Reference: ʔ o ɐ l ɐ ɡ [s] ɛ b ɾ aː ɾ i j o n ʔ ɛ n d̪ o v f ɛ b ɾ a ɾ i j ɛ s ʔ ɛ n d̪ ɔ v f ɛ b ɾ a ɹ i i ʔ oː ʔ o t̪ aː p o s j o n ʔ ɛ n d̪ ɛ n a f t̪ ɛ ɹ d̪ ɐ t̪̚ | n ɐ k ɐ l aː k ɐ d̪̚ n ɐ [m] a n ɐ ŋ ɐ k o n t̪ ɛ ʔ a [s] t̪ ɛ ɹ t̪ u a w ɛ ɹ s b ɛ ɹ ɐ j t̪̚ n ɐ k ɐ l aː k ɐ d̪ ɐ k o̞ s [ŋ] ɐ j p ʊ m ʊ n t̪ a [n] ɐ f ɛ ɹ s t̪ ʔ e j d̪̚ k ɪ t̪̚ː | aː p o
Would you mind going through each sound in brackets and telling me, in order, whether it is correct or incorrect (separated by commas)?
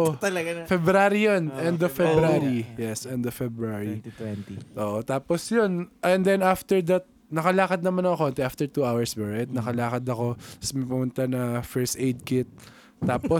incorrect, correct, incorrect, incorrect, correct